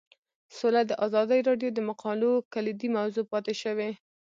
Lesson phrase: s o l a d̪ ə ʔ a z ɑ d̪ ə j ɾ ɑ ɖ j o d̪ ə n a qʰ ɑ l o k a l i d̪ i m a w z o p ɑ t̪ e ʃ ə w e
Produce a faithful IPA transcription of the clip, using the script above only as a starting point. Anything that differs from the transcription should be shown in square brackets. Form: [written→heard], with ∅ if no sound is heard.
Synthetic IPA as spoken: s o l a d̪ ə ʔ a z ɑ d̪ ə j ɾ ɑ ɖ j o d̪ ə [n→m] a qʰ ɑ l o k a l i d̪ i m a w z o p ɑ t̪ e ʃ ə w e